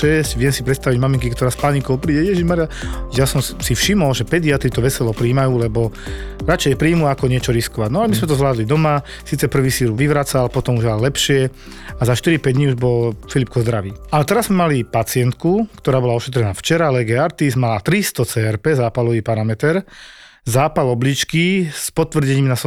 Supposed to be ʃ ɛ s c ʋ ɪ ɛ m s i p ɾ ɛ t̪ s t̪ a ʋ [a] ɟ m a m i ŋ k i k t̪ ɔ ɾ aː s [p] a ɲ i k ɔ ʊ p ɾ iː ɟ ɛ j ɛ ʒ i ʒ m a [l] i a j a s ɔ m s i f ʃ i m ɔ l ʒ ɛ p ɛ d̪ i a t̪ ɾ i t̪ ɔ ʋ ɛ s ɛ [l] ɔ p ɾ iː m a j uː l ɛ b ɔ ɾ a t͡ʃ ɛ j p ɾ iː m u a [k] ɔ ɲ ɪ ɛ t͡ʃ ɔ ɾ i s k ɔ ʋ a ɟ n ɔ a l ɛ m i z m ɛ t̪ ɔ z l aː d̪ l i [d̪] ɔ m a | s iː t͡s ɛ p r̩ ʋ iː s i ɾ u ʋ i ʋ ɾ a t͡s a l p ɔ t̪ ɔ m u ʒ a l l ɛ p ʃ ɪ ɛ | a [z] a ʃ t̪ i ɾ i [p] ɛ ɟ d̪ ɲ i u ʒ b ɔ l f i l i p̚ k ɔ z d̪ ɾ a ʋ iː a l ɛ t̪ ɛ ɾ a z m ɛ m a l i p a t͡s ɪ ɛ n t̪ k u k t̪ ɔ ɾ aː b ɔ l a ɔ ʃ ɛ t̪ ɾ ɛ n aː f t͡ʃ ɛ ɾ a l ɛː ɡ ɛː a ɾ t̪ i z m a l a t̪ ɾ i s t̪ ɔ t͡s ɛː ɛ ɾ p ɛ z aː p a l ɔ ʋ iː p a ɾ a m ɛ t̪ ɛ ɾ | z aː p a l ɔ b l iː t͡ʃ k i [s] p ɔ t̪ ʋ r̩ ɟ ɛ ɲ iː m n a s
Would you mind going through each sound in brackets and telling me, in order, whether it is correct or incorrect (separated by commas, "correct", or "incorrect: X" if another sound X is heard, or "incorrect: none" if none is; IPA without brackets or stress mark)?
incorrect: i, correct, incorrect: ɾ, correct, correct, correct, correct, correct, correct